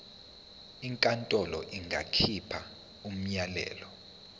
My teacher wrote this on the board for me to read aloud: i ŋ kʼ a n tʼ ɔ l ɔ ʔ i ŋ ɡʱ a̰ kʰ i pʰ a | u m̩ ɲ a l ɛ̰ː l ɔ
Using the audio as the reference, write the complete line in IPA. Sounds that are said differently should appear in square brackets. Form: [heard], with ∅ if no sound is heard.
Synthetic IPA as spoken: i ŋ kʼ a n tʼ ɔ l ɔ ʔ i ŋ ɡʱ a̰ kʰ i pʰ a | u m̩ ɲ a l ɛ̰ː l ɔ